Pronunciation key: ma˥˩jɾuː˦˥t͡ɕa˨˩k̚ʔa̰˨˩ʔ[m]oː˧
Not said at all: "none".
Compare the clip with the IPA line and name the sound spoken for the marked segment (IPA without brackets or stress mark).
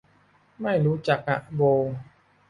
b